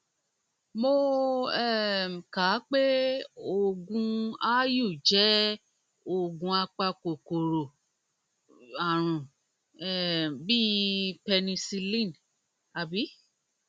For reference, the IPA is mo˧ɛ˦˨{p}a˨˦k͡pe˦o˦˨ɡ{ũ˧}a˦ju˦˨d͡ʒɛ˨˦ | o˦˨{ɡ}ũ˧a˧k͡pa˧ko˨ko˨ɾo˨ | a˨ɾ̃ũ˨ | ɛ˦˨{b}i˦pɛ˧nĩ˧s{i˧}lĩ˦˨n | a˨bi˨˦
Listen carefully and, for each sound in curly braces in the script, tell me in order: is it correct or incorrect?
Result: incorrect: k, correct, correct, correct, correct

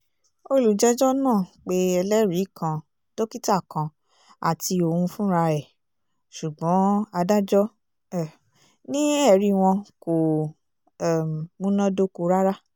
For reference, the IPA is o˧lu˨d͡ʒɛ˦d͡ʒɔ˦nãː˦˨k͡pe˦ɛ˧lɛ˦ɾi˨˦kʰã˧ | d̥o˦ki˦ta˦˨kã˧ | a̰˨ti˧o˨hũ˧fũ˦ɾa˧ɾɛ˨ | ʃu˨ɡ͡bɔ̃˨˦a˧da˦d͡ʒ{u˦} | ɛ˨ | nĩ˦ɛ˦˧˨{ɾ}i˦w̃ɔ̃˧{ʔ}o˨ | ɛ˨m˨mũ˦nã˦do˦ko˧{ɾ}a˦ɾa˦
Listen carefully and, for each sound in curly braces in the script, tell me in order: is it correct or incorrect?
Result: incorrect: ɔ˦, correct, incorrect: k, correct

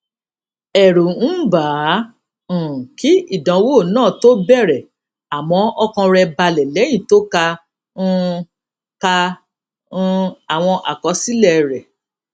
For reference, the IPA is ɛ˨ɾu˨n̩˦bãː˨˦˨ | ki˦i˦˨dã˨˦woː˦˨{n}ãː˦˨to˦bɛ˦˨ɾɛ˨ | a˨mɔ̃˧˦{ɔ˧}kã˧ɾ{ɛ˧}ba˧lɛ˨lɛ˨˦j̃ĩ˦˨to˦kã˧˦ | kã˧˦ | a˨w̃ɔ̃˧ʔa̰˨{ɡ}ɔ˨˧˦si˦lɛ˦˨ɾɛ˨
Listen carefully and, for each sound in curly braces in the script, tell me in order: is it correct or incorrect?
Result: correct, correct, correct, incorrect: k

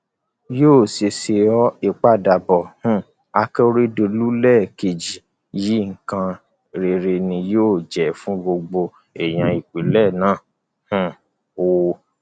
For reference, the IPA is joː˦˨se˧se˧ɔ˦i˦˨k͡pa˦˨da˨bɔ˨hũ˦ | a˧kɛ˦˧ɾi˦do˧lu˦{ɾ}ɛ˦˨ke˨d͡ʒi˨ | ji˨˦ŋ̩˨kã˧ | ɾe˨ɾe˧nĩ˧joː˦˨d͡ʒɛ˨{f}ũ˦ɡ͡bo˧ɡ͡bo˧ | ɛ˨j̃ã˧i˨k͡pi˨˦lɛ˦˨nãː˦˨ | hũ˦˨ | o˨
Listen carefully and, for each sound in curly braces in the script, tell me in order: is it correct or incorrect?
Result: incorrect: l, correct

